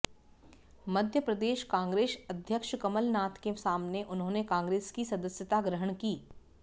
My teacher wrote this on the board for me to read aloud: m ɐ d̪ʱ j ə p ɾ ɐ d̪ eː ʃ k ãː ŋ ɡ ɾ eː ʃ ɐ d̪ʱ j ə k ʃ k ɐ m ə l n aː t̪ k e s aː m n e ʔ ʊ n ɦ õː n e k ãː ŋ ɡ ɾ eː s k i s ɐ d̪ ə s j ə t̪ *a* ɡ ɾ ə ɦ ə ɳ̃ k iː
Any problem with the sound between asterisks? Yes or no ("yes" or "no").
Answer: no